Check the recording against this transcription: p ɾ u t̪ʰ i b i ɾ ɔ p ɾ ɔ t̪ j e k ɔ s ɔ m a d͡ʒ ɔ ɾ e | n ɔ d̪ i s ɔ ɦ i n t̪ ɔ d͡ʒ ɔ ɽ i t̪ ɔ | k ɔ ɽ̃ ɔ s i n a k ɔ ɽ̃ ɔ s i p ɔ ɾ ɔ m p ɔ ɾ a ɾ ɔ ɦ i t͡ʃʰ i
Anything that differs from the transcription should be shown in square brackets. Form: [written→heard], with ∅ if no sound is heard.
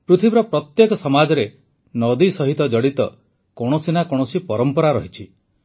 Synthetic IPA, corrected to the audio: p ɾ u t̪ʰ i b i ɾ ɔ p ɾ ɔ t̪ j e k ɔ s ɔ m a d͡ʒ ɔ ɾ e | n ɔ d̪ i s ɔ ɦ i [n→∅] t̪ ɔ d͡ʒ ɔ ɽ i t̪ ɔ | k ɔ ɽ̃ ɔ s i n a k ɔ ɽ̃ ɔ s i p ɔ ɾ ɔ m p ɔ ɾ a ɾ ɔ ɦ i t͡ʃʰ i